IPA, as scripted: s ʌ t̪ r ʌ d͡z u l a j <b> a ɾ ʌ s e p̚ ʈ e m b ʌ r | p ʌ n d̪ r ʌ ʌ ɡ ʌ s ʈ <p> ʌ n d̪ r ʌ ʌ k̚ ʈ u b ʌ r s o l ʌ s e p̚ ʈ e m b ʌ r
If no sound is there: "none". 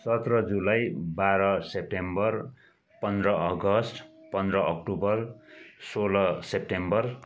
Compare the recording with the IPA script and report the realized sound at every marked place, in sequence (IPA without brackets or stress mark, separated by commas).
b, p